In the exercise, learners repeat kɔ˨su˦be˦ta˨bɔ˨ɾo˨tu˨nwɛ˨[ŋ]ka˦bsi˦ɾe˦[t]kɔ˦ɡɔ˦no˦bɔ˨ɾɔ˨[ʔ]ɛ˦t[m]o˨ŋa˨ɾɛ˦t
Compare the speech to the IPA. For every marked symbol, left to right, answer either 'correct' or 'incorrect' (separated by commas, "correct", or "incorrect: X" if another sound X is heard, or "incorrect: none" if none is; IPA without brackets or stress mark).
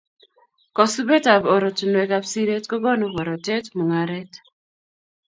incorrect: none, correct, incorrect: t, correct